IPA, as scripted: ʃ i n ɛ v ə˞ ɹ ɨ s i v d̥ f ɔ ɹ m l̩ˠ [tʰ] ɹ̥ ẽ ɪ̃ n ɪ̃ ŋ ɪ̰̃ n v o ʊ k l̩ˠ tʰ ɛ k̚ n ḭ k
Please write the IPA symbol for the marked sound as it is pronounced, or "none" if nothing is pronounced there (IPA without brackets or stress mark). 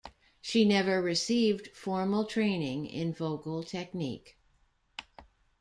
tʰ